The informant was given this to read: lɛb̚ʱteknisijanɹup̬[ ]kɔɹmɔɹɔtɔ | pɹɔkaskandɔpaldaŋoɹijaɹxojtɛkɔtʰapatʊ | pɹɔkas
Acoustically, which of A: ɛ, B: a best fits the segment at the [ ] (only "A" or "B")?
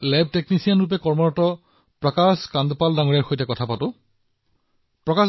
A